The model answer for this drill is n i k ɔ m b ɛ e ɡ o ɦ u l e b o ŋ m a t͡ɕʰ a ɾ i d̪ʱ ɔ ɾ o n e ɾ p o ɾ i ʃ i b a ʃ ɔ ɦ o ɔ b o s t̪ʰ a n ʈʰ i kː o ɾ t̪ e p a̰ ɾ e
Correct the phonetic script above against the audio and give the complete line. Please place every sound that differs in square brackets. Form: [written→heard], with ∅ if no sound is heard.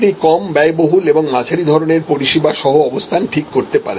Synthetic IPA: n i k ɔ m b ɛ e [ɡ→b] o ɦ u l e b o ŋ m a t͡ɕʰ a ɾ i d̪ʱ ɔ ɾ o n e ɾ p o ɾ i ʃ i b a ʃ ɔ ɦ o ɔ b o s t̪ʰ a n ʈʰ i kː o ɾ t̪ e p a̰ ɾ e

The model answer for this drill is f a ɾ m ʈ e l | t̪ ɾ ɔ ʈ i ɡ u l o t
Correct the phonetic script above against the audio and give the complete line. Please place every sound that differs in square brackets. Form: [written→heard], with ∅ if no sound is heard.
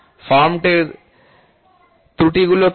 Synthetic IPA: f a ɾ m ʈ e [l→ɾ] | t̪ ɾ [ɔ→u] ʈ i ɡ u l o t

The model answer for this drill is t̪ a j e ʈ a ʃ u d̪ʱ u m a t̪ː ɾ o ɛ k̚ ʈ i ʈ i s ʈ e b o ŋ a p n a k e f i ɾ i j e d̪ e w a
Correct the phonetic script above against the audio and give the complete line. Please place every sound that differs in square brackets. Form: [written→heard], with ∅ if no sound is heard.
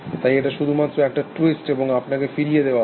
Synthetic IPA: t̪ a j e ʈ a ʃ u d̪ʱ u m a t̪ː ɾ o ɛ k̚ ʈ [i→a] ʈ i s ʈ e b o ŋ a p n a k e f i ɾ i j e d̪ e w a

